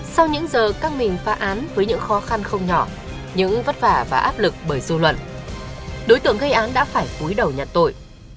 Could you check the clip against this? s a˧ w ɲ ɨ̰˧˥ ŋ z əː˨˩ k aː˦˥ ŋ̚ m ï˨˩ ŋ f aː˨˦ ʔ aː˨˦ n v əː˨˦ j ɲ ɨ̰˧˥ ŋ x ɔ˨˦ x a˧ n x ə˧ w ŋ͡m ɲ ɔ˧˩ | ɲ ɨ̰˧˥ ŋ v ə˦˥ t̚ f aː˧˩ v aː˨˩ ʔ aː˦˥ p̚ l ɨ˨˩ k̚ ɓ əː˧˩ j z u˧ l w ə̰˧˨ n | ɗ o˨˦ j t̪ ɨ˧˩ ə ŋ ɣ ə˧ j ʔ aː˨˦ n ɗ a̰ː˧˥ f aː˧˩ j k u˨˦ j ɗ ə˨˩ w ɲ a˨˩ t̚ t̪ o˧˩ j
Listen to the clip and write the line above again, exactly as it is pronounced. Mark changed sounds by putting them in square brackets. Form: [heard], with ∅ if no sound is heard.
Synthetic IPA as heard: s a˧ w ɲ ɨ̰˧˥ ŋ z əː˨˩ k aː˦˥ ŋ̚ m ï˨˩ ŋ f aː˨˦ ʔ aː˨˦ n v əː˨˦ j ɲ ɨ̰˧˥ ŋ x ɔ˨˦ x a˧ n x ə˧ w ŋ͡m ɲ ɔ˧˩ | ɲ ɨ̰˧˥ ŋ v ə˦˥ t̚ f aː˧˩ v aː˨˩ ʔ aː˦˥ p̚ l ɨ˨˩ k̚ ɓ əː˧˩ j z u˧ l w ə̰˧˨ n | ɗ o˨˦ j t̪ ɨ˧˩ ə ŋ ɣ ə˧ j ʔ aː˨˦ n ɗ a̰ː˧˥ f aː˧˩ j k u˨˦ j ɗ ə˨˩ w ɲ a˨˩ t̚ t̪ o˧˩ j